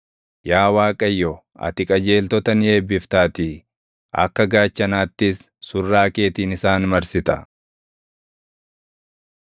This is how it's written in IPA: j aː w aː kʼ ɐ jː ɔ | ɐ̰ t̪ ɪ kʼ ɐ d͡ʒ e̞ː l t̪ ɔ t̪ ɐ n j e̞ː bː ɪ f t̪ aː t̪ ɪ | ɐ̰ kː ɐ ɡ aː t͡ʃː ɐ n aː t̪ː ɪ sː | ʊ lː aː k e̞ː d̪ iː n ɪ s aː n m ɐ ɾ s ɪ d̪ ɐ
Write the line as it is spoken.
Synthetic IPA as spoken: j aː w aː kʼ ɐ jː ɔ | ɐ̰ t̪ ɪ kʼ ɐ d͡ʒ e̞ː l t̪ ɔ t̪ ɐ n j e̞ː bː ɪ f t̪ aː t̪ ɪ | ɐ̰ kː ɐ ɡ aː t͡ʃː ɐ n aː t̪ː ɪ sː | ʊ rː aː k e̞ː t̪ iː n ɪ s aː n m ɐ ɾ s ɪ t̪ ɐ